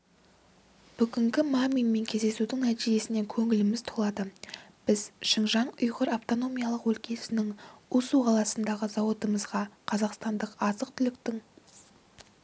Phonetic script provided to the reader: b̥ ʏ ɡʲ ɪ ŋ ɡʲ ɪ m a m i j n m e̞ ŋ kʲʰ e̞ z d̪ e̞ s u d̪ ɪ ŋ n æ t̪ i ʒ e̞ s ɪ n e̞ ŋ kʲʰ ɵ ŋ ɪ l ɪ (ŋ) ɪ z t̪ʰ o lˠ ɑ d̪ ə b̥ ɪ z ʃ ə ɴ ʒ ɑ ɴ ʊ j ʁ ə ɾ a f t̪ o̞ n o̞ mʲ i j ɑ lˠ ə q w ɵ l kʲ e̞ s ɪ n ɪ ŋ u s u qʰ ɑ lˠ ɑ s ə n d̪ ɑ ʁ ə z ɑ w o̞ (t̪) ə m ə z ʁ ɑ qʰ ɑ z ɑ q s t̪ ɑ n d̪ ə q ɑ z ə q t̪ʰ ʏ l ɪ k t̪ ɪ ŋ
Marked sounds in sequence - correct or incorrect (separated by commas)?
incorrect, correct